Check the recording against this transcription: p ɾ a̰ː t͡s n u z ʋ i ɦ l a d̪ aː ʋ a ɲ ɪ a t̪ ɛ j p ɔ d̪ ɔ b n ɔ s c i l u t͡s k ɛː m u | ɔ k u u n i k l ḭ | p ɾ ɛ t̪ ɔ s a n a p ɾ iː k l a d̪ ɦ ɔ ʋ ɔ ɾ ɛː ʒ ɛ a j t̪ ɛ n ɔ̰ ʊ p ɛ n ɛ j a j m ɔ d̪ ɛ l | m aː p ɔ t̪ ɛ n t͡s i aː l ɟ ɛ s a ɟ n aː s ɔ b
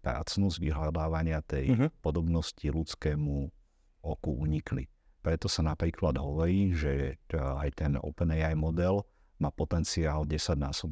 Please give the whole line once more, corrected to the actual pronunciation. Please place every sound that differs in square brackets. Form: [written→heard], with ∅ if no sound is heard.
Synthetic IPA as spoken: p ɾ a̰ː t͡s n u z ʋ i ɦ l a d̪ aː ʋ a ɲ ɪ a t̪ ɛ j p ɔ d̪ ɔ b n ɔ s c i l u t͡s k ɛː m u | ɔ k u u [n→ɲ] i k l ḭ | p ɾ ɛ t̪ ɔ s a n a p ɾ iː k l a d̪ ɦ ɔ ʋ ɔ ɾ [ɛː→iː] ʒ ɛ a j t̪ ɛ n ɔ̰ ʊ p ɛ n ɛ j a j m ɔ d̪ ɛ l | m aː p ɔ t̪ ɛ n t͡s i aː l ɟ ɛ s a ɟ n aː s ɔ b